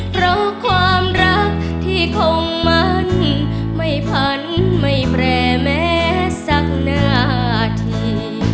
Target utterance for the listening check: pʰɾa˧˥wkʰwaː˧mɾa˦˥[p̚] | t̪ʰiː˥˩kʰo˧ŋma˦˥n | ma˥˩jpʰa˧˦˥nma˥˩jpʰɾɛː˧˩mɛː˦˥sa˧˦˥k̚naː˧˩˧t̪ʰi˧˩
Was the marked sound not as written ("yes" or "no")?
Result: yes